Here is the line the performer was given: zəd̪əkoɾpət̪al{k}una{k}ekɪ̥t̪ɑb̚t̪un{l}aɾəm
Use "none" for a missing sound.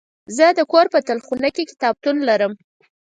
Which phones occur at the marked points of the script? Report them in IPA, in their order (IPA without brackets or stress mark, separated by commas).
x, k, l